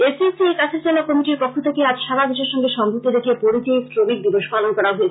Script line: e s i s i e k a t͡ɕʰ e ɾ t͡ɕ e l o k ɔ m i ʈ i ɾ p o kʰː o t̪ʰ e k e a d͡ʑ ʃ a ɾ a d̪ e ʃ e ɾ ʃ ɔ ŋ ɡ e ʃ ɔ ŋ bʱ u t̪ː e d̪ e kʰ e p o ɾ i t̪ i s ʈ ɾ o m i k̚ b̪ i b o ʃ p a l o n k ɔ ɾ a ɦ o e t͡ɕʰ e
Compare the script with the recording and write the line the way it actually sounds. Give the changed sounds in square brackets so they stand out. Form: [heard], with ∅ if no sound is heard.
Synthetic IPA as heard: e s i s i e k a t͡ɕʰ e ɾ t͡ɕ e l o k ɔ m i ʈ i ɾ p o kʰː o t̪ʰ e k e a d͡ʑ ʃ a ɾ a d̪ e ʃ e ɾ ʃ ɔ ŋ ɡ e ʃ ɔ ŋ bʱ u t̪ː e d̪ e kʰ e p o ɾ i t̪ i s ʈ ɾ o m i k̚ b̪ i b o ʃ p a l o n k ɔ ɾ a ɦ o e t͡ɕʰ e